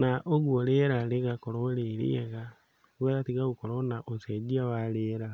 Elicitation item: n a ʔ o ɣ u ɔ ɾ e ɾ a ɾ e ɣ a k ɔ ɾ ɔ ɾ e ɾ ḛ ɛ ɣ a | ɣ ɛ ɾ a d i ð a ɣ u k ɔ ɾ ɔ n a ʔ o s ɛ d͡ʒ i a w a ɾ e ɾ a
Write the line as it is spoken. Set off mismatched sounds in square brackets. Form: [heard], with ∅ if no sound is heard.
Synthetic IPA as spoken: n a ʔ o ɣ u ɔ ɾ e ɾ a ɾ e ɣ a k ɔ ɾ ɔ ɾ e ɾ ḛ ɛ ɣ a | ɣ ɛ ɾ a [t] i [ɣ] a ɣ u k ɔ ɾ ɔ n a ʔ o s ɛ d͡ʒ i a w a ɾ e ɾ a

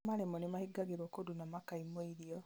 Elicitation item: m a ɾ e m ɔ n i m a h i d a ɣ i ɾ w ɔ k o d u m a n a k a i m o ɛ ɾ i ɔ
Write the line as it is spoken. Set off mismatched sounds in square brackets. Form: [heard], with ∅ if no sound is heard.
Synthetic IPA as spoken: m a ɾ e m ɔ n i m a h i [ɡ] a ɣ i ɾ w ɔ k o d u [n] a [m] a k a i m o [i] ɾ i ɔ

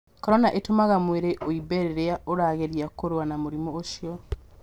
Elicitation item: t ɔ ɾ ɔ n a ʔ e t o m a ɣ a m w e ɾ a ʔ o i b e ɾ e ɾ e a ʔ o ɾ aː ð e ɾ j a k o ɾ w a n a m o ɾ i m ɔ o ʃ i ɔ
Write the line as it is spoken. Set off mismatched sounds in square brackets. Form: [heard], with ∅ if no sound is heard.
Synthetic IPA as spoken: [k] ɔ ɾ ɔ n a ʔ e t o m a ɣ a m w e ɾ [e] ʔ o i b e ɾ e ɾ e a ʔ o ɾ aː [ɣ] e ɾ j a k o ɾ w a n a m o ɾ i m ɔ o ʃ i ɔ

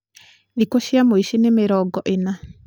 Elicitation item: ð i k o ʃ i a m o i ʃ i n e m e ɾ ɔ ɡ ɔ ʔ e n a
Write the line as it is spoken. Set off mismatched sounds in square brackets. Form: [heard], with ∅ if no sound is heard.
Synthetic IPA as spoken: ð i k o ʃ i a m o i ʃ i n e m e ɾ ɔ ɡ ɔ ʔ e n a

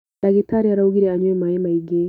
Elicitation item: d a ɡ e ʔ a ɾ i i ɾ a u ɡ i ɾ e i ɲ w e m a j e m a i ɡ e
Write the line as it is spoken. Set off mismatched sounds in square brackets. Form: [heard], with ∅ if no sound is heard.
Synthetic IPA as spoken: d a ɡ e [t] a ɾ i [a] ɾ a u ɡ i ɾ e [a] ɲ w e m a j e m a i ɡ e

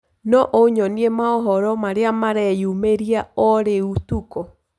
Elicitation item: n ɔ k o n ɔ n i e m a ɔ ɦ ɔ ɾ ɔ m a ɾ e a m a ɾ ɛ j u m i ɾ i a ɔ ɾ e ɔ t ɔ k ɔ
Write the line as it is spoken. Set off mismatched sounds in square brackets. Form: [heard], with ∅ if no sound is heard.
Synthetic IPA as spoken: n ɔ [ʔ] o [ɲ] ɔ n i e m a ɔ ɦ ɔ ɾ ɔ m a ɾ e a m a ɾ ɛ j u m [e] ɾ i a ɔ ɾ e [u] t [u] k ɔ

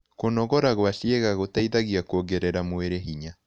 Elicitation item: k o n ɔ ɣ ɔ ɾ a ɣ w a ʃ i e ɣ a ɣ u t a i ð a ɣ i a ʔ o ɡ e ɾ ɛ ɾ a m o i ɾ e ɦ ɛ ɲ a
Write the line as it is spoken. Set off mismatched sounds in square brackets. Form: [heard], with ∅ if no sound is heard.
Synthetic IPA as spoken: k o n ɔ ɣ ɔ ɾ a ɣ w a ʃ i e ɣ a ɣ [o] t a i ð a ɣ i a [k] o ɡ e ɾ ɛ ɾ a m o [e] ɾ e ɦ [i] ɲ a

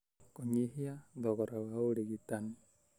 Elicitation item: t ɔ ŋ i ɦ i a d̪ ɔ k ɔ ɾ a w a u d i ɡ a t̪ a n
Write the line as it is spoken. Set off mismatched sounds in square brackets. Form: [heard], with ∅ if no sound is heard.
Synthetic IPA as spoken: [k] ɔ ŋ i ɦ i a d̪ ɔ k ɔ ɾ a w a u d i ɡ [i] t̪ a n

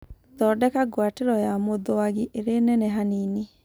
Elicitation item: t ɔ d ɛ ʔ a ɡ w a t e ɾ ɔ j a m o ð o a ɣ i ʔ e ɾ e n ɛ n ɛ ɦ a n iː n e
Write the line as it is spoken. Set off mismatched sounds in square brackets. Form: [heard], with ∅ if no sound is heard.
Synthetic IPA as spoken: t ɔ d ɛ [k] a ɡ w a t e ɾ ɔ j a m o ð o a ɣ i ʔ e ɾ e n ɛ n ɛ ɦ a n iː n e

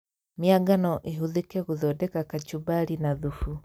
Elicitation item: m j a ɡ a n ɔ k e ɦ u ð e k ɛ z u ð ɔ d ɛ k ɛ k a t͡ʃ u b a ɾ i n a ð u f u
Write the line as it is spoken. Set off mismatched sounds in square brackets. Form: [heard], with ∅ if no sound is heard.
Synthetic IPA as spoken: m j a ɡ a n ɔ [ʔ] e ɦ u ð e k ɛ [ɣ] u ð ɔ d ɛ k [a] k a t͡ʃ u b a ɾ i n a ð u f u

